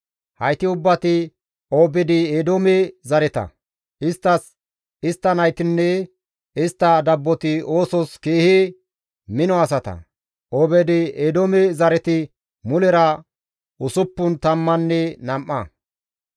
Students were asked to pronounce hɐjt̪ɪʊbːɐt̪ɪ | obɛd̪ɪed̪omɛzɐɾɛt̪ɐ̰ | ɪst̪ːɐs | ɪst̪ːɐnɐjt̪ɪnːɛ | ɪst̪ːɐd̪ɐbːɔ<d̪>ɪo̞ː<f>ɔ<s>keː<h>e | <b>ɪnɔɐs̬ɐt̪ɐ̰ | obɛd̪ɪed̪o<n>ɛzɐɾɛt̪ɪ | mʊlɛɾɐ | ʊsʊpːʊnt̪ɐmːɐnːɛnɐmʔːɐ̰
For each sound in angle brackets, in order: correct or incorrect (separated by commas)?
incorrect, incorrect, correct, correct, incorrect, incorrect